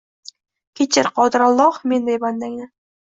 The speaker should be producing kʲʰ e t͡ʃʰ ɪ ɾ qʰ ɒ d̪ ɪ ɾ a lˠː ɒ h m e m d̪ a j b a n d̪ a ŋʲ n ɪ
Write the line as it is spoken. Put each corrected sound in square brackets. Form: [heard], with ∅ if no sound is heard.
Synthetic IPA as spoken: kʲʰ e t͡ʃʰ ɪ ɾ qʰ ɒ d̪ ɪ ɾ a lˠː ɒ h m e [n] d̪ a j b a n d̪ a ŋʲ n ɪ